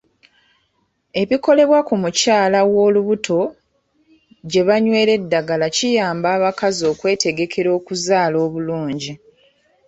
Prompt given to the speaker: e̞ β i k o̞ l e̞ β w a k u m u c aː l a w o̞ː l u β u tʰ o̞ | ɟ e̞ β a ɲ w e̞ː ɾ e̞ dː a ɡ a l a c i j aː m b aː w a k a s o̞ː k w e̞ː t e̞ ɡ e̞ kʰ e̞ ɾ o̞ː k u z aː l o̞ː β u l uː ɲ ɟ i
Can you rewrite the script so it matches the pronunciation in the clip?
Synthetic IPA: e̞ β i k o̞ l e̞ β w a k u m u c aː l a w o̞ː l u β u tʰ o̞ | ɟ e̞ β a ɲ w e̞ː ɾ e̞ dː a ɡ a l a c i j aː m b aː β a k a z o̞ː k w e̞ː t e̞ ɡ e̞ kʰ e̞ ɾ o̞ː k u z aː l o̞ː β u l uː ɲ ɟ i